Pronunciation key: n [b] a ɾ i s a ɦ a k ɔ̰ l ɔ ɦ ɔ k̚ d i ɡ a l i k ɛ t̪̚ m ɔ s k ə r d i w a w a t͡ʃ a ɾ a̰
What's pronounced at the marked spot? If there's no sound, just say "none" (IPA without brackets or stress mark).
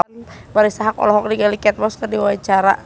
b